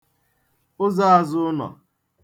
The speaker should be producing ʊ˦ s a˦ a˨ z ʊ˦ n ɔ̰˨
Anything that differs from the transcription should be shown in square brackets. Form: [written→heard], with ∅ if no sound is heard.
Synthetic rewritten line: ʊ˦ [s→z] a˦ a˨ z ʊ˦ n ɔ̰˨